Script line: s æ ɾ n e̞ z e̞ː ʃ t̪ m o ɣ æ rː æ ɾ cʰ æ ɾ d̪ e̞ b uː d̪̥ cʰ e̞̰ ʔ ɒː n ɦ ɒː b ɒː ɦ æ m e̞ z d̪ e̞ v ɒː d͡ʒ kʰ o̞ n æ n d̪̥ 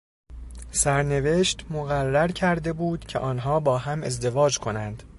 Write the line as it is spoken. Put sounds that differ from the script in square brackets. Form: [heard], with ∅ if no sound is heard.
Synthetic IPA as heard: s æ ɾ n e̞ [v] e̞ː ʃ t̪ m o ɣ æ rː æ ɾ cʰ æ ɾ d̪ e̞ b uː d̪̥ cʰ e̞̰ ʔ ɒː n ɦ ɒː b ɒː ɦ æ m e̞ z d̪ e̞ v ɒː d͡ʒ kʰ o̞ n æ n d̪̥